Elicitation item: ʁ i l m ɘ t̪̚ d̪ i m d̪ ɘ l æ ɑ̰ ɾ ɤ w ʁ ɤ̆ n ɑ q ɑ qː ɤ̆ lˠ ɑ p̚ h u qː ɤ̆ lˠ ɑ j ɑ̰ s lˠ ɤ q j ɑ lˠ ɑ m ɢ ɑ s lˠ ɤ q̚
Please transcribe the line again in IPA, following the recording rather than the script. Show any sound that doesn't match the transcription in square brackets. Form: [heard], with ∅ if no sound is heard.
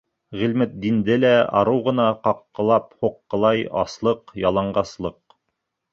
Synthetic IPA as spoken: ʁ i l m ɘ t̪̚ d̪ i [n] d̪ ɘ l æ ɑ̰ ɾ ɤ w ʁ ɤ̆ n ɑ q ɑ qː ɤ̆ lˠ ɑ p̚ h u qː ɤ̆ lˠ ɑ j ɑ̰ s lˠ ɤ q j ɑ lˠ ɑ [ɴ] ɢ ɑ s lˠ ɤ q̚